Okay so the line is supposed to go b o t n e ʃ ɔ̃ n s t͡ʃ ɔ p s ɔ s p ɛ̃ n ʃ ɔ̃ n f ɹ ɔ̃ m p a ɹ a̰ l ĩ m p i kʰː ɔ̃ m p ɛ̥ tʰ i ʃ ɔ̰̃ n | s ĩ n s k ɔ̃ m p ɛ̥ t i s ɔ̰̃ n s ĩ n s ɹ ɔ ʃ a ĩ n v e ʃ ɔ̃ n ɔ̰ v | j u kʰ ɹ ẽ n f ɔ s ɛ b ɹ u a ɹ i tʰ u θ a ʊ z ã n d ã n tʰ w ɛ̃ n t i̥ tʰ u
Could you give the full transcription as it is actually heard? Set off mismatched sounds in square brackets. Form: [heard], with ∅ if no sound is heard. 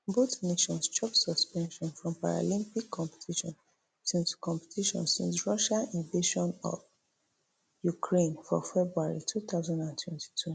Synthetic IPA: b o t n e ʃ ɔ̃ n s t͡ʃ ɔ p s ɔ s p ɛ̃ n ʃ ɔ̃ n f ɹ ɔ̃ m p a ɹ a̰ l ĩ m p i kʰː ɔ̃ m p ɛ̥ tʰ i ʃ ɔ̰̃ n | s ĩ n s k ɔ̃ m p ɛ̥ t i [ʃ] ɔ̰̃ n s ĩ n s ɹ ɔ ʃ a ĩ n v e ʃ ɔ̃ n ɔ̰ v | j u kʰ ɹ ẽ n f ɔ [f] ɛ b ɹ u a ɹ i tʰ u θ a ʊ z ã n d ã n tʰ w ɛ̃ n t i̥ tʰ u